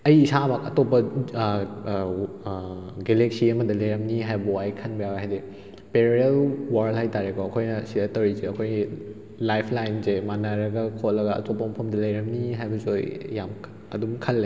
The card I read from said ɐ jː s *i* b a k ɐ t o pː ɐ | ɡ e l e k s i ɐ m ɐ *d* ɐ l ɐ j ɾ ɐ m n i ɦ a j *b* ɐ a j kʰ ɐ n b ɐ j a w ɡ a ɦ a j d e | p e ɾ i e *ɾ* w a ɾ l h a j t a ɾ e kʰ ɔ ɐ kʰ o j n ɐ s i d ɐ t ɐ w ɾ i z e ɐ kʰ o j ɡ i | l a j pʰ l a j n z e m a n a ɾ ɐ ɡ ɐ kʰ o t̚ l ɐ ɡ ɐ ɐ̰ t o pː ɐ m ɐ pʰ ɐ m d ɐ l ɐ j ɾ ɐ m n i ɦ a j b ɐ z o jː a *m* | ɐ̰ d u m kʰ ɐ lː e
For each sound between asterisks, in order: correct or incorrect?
incorrect, correct, correct, incorrect, correct

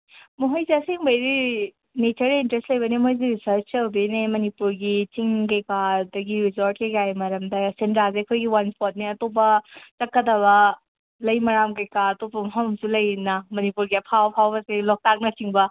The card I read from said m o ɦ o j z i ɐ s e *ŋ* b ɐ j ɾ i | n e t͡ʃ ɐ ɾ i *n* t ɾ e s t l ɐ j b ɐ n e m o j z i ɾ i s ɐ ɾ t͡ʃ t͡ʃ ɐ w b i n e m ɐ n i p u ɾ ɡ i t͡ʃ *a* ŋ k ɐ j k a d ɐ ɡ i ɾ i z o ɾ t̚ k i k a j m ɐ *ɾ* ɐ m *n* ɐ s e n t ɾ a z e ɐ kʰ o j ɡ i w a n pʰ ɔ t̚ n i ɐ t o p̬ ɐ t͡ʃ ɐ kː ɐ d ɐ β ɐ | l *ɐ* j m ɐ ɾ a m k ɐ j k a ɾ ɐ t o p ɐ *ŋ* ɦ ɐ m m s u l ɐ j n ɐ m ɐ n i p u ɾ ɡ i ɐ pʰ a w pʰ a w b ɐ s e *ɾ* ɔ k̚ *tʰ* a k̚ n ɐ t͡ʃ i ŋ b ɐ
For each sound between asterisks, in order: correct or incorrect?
correct, correct, incorrect, correct, incorrect, correct, incorrect, incorrect, incorrect

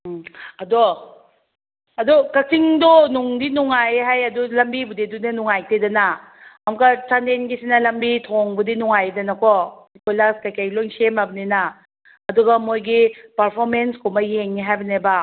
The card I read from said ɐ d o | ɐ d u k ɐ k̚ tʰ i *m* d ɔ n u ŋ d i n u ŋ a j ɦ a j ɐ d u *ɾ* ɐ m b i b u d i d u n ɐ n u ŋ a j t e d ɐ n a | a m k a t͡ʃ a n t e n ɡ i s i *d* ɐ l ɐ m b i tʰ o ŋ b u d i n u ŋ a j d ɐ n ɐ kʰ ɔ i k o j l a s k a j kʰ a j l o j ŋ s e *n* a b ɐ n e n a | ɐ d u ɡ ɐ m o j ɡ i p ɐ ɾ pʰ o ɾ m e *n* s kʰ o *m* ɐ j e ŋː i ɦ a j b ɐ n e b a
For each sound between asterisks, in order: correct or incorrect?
incorrect, incorrect, incorrect, incorrect, correct, correct

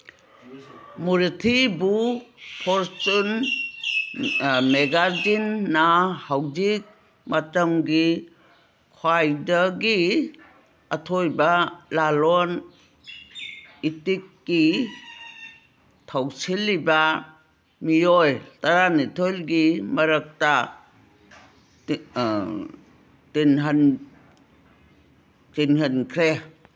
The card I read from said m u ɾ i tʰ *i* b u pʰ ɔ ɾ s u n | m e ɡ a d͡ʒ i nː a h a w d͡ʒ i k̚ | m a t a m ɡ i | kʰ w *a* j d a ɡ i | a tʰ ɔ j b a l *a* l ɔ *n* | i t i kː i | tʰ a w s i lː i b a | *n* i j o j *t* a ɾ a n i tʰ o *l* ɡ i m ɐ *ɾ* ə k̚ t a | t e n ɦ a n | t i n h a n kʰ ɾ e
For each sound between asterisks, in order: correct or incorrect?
correct, correct, correct, correct, incorrect, correct, correct, correct

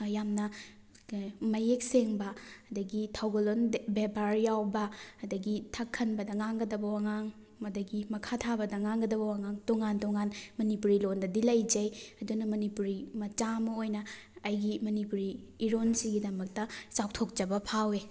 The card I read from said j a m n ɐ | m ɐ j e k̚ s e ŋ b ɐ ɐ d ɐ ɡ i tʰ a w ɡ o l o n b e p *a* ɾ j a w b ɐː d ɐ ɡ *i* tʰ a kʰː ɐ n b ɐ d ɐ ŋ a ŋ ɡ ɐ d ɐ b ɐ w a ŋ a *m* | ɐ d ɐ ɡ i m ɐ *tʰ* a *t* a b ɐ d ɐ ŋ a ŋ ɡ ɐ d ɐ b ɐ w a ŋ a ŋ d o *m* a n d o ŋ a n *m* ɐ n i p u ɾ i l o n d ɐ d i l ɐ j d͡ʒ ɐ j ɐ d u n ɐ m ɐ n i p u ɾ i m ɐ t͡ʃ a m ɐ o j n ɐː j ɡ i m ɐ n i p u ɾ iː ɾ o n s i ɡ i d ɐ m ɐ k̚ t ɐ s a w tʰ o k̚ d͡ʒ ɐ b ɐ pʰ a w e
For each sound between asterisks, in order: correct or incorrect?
correct, correct, incorrect, incorrect, incorrect, incorrect, correct

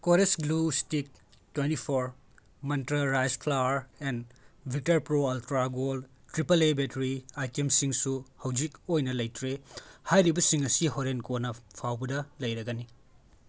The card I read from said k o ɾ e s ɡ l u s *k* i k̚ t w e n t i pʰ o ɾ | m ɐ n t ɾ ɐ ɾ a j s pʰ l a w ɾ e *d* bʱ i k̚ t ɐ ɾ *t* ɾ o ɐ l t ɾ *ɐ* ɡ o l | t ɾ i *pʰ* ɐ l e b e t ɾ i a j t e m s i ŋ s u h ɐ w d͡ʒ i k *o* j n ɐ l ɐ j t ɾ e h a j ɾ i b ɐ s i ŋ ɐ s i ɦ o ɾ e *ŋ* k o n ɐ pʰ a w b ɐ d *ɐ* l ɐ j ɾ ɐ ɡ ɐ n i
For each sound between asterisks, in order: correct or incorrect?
incorrect, incorrect, incorrect, incorrect, incorrect, correct, incorrect, correct

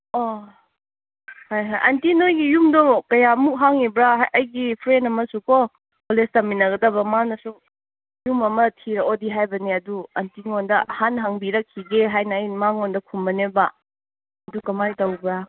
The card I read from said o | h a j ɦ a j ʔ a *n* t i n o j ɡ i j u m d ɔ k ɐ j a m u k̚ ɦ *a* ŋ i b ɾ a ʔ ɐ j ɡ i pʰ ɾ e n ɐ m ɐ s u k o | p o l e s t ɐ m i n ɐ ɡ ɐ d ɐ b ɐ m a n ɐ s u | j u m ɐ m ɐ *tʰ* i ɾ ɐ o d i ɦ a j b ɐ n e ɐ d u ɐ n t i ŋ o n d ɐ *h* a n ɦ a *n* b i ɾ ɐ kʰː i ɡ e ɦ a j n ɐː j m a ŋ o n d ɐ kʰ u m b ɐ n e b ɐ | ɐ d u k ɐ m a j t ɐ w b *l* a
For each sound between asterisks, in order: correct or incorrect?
correct, correct, correct, correct, incorrect, incorrect

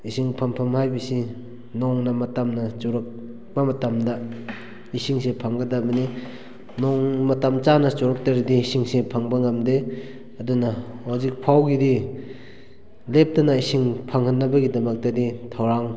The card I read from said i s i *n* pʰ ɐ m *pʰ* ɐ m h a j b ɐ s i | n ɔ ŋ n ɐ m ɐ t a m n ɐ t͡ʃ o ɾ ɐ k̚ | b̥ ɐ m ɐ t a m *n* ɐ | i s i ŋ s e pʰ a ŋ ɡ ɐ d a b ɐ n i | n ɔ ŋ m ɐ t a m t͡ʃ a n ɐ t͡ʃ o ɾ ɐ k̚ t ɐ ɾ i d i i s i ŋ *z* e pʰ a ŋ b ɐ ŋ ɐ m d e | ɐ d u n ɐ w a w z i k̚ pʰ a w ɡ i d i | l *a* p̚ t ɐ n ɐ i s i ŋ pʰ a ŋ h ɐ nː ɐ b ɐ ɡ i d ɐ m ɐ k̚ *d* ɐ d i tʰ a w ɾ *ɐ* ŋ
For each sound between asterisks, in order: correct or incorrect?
incorrect, correct, incorrect, incorrect, incorrect, incorrect, incorrect

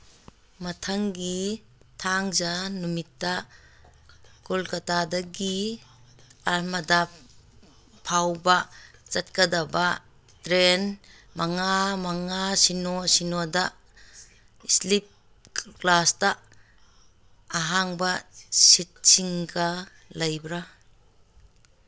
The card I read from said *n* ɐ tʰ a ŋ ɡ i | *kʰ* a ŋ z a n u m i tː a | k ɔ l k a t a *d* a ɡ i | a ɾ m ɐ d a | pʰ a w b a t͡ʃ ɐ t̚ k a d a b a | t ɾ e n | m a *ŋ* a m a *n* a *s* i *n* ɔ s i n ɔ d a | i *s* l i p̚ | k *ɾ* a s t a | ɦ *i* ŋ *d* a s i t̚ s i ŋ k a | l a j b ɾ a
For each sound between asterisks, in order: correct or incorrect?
incorrect, incorrect, correct, correct, incorrect, correct, correct, correct, incorrect, incorrect, incorrect

